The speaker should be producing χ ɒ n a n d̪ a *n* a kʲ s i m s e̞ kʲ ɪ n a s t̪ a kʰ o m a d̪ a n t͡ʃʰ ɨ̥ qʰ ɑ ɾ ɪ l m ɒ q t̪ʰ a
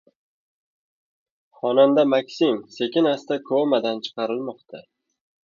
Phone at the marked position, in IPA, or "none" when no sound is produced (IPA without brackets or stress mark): m